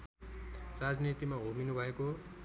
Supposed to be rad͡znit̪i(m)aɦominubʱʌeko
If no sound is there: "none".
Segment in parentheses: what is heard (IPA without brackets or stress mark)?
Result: m